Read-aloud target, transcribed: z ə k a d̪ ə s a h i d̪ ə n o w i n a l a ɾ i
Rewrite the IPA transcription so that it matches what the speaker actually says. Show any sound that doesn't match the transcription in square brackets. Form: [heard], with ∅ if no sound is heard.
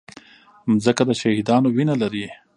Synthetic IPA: z ə k a d̪ ə [ʃ] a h i d̪ [ɑ] n o w i n a l a ɾ i